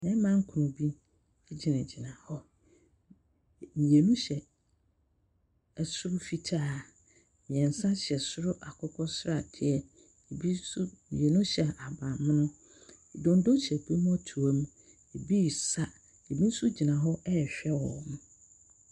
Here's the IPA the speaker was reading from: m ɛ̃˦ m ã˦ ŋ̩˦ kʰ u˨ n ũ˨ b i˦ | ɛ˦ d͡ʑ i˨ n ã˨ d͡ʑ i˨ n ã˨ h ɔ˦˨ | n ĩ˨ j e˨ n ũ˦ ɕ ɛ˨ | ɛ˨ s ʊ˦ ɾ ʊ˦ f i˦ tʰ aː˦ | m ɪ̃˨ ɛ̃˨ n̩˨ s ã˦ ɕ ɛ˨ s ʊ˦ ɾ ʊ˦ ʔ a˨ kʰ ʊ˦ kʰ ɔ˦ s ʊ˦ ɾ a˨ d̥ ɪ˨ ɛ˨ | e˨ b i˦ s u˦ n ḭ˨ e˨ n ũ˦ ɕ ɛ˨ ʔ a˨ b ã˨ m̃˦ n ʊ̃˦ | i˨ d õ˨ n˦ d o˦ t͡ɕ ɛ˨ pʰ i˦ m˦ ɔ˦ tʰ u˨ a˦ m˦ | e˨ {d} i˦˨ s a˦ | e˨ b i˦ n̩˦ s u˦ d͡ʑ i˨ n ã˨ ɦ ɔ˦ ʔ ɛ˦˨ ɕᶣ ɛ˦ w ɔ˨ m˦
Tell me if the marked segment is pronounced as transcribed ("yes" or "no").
no